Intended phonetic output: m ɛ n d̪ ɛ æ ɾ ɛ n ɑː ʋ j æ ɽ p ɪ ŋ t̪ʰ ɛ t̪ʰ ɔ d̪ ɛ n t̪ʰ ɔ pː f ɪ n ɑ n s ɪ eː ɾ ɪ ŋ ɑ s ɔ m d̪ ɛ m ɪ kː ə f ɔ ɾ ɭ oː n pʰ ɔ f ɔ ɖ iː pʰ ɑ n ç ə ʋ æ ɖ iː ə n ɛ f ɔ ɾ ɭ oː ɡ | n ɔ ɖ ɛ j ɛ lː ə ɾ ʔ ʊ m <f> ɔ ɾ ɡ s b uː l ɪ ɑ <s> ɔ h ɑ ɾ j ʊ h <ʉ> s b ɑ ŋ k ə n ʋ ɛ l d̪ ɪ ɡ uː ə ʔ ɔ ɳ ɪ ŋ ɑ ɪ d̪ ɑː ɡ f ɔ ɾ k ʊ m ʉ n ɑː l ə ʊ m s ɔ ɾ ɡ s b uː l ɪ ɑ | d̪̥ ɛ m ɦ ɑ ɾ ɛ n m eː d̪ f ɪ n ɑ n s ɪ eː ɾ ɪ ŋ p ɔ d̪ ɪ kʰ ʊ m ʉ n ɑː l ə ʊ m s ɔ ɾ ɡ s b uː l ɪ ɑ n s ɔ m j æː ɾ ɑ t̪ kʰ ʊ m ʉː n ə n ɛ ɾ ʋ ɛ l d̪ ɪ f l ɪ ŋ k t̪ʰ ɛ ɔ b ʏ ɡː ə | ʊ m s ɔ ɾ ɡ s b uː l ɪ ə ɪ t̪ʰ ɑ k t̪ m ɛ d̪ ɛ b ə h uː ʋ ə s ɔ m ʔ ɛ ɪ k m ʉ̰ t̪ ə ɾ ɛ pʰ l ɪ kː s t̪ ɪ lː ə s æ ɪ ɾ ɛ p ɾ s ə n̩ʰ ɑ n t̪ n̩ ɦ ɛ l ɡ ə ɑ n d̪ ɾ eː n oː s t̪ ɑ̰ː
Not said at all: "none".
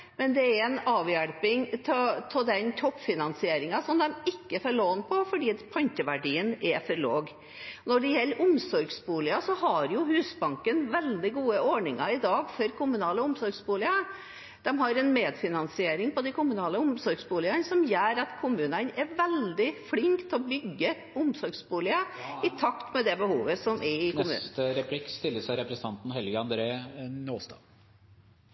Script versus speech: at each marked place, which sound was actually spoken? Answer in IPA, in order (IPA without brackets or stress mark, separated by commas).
s, s, ʉː